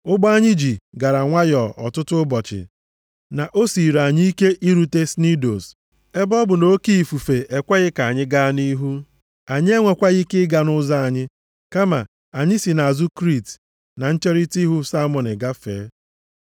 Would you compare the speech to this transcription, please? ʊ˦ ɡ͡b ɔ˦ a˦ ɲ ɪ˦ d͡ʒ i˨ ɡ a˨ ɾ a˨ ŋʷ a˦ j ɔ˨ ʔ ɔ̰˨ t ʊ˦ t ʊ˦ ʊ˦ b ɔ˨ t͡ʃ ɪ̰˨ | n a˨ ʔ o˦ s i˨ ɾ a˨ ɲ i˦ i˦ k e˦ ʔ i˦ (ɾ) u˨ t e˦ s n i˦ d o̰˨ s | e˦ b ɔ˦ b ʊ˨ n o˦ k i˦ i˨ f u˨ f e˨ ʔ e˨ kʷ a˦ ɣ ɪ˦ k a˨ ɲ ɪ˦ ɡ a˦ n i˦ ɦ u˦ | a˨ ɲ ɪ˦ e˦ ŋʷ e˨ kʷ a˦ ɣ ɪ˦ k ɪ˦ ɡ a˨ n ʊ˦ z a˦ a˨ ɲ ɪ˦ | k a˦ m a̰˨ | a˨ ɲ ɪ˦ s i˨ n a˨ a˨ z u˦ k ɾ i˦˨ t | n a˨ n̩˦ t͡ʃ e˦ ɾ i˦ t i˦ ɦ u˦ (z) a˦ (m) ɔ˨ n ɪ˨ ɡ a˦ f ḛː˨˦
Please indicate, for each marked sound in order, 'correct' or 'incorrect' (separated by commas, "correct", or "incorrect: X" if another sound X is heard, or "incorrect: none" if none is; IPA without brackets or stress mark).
correct, incorrect: s, correct